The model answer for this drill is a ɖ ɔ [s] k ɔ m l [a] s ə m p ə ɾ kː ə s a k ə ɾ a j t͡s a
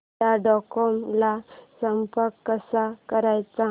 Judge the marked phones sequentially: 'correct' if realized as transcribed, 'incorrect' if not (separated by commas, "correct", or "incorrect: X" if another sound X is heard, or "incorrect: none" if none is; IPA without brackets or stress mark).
incorrect: none, correct